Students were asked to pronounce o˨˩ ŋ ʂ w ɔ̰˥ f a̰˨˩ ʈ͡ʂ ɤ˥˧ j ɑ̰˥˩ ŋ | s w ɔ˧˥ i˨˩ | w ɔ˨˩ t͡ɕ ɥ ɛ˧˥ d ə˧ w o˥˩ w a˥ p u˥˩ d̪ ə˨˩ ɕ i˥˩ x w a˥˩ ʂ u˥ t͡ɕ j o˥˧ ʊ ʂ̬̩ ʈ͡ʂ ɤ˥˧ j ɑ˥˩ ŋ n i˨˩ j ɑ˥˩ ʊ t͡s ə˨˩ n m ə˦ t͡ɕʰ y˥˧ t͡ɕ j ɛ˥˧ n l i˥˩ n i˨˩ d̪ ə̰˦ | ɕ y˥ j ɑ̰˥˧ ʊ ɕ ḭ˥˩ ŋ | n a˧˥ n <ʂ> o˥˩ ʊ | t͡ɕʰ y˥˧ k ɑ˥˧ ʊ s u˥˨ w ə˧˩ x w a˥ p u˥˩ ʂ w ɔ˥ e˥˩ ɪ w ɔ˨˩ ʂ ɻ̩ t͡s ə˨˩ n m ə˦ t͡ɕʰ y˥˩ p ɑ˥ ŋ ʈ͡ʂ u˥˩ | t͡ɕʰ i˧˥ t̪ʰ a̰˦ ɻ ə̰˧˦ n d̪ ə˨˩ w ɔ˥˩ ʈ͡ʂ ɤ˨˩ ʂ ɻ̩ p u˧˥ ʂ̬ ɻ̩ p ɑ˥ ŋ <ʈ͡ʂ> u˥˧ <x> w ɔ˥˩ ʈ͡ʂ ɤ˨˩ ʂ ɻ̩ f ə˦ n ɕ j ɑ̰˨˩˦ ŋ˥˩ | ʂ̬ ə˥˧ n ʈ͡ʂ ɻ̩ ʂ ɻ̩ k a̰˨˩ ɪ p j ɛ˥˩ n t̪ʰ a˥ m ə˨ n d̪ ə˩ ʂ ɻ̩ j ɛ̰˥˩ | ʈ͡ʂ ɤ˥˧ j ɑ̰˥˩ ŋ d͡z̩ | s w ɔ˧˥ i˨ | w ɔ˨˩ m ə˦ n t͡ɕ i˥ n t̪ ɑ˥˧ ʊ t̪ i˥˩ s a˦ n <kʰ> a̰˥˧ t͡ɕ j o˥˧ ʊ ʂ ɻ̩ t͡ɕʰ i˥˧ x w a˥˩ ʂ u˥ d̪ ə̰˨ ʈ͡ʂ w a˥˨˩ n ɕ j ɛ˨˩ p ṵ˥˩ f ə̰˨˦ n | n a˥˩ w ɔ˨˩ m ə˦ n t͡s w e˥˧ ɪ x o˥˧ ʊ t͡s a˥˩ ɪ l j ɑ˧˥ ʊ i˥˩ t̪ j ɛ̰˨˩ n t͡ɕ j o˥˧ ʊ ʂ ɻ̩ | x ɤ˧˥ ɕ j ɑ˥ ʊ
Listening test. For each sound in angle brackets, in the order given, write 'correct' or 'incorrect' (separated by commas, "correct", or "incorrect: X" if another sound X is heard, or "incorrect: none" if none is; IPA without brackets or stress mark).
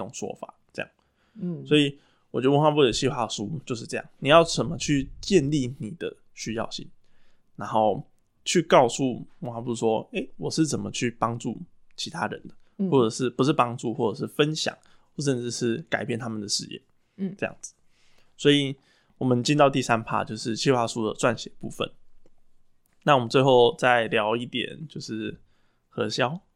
incorrect: x, correct, correct, incorrect: pʰ